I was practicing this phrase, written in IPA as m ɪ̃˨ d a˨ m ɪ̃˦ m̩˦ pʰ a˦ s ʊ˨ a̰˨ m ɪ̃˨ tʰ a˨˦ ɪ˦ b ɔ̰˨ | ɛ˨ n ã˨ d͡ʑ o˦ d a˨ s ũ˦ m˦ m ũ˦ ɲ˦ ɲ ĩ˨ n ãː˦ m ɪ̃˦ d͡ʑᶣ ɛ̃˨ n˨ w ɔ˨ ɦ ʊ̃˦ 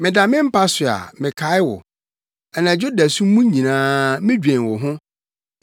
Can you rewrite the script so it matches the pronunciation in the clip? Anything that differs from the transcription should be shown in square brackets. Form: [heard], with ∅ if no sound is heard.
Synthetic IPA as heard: m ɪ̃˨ d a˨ m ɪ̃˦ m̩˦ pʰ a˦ s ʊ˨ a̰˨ m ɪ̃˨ [kʰ] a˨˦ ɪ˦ [w] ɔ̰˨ | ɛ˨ n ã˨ d͡ʑ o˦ d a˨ s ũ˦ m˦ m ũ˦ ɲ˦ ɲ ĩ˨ n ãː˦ m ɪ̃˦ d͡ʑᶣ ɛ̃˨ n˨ w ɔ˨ ɦ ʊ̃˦